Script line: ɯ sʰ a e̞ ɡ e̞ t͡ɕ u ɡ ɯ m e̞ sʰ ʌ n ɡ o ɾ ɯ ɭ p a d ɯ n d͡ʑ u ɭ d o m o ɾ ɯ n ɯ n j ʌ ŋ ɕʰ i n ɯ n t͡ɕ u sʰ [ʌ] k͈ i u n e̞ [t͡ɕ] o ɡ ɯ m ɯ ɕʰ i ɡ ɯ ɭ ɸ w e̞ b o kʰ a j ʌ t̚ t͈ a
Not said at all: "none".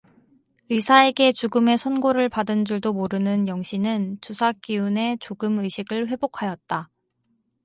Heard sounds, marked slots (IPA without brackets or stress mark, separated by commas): a, t͡ɕ